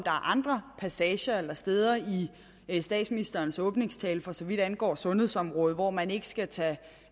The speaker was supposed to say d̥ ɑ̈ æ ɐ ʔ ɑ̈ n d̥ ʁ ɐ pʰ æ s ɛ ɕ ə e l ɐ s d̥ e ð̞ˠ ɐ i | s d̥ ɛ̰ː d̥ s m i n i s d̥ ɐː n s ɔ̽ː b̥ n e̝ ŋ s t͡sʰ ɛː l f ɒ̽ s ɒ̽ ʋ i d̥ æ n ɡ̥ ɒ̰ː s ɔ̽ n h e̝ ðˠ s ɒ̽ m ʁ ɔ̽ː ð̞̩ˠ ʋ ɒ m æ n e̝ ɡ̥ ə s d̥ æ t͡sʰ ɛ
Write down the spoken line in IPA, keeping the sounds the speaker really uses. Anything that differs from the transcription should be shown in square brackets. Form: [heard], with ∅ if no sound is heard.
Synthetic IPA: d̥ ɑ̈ æ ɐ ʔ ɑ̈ n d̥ ʁ ɐ pʰ æ s ɛ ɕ [ɐ] e l ɐ s d̥ e ð̞ˠ ɐ i | s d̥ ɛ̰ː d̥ s m i n i s d̥ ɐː n s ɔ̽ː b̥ n e̝ ŋ s t͡sʰ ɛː l f ɒ̽ s ɒ̽ ʋ i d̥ æ n ɡ̥ ɒ̰ː s ɔ̽ n h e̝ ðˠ s ɒ̽ m ʁ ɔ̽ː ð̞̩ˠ ʋ ɒ m æ n e̝ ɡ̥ ə s [ɡ̥] æ t͡sʰ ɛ